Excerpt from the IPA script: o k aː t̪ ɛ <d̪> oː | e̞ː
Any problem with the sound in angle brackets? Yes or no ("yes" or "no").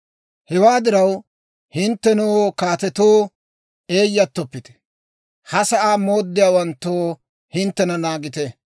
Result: yes